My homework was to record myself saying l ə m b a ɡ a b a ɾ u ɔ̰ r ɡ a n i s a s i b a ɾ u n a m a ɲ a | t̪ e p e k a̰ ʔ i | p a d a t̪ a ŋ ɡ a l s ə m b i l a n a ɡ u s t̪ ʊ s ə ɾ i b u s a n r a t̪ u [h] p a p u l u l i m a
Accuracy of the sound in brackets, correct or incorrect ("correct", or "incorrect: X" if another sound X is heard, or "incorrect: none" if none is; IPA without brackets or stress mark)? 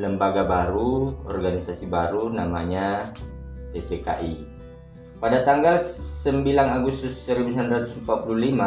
incorrect: s